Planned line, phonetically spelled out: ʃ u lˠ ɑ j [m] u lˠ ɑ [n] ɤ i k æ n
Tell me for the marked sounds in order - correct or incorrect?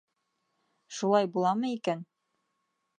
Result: incorrect, incorrect

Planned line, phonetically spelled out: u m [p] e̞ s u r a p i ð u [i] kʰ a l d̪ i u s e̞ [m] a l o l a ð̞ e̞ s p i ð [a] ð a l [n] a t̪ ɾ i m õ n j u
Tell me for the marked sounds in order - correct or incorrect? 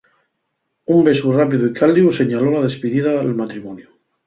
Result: incorrect, correct, incorrect, incorrect, incorrect

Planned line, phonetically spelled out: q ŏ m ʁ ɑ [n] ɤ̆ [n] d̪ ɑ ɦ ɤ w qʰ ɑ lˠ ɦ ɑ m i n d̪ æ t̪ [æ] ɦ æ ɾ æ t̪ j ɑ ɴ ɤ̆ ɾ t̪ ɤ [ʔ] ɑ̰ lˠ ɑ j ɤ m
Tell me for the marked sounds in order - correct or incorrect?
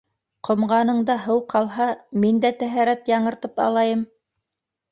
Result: correct, incorrect, correct, incorrect

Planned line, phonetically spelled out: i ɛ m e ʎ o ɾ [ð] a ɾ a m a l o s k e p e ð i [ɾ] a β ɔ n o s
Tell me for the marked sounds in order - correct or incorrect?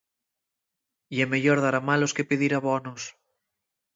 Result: correct, correct

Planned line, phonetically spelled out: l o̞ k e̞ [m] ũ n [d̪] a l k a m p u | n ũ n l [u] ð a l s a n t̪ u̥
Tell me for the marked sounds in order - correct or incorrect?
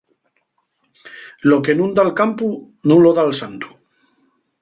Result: incorrect, correct, incorrect

